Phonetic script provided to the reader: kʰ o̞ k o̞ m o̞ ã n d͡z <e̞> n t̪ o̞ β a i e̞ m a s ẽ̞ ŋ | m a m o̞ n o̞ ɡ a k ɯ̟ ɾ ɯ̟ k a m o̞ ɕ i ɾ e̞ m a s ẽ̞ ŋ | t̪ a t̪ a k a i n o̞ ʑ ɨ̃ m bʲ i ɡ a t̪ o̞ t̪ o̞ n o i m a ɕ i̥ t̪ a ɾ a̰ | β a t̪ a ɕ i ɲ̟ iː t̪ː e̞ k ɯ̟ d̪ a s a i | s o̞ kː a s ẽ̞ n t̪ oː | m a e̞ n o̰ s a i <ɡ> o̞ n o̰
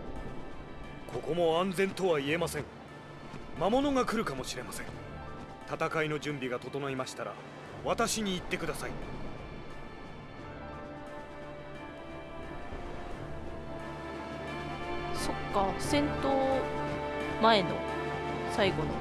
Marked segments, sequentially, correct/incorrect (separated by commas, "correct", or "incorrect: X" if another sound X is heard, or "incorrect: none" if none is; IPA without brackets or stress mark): incorrect: ẽ̞, correct